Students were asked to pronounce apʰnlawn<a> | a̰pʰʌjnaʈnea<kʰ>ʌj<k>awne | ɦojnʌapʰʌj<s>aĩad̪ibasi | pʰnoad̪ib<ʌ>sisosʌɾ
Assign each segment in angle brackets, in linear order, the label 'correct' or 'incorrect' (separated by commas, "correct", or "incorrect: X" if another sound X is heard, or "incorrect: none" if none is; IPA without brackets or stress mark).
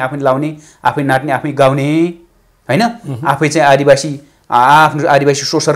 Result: incorrect: e, incorrect: pʰ, incorrect: ɡ, incorrect: t͡s, incorrect: a